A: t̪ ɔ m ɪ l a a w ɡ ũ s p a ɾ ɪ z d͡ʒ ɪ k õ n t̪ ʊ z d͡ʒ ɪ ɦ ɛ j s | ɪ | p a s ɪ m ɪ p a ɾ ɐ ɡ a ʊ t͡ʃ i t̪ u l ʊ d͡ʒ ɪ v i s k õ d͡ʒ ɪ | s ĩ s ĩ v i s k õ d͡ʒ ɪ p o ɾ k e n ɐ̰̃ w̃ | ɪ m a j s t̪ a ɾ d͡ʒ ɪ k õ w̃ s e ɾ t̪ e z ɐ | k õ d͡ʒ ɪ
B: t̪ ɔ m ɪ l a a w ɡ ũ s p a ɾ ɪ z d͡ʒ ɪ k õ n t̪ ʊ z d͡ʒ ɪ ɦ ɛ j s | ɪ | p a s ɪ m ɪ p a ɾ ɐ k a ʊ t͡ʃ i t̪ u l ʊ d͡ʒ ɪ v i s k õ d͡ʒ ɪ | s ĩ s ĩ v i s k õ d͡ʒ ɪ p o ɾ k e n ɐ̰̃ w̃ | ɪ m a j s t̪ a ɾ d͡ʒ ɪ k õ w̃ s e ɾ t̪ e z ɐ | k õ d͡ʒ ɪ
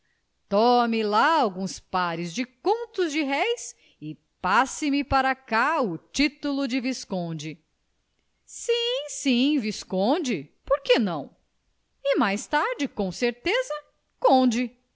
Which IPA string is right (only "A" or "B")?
B